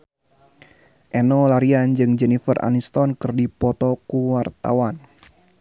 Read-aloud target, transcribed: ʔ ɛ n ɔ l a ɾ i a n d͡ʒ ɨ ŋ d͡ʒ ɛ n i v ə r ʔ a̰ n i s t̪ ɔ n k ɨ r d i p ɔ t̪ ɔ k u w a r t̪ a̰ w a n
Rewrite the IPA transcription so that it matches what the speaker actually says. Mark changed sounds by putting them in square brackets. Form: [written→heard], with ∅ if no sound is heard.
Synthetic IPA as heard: ʔ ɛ n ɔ l a ɾ i a n d͡ʒ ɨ ŋ d͡ʒ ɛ n i [v→f] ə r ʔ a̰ n i s t̪ ɔ n k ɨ r d i p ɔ t̪ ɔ k u w a r t̪ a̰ w a n